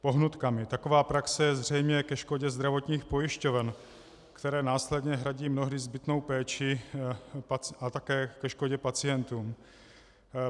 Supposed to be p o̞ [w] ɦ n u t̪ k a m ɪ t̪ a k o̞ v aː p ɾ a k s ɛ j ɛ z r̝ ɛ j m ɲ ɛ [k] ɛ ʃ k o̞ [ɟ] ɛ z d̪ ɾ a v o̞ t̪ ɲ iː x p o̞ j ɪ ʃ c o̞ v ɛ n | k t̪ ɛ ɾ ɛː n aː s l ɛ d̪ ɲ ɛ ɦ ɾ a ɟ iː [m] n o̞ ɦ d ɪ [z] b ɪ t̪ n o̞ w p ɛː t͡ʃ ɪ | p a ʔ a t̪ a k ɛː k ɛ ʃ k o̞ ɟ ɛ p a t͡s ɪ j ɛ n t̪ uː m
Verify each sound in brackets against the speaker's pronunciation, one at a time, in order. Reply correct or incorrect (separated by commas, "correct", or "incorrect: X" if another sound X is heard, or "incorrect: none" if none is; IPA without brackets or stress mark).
incorrect: none, correct, correct, correct, correct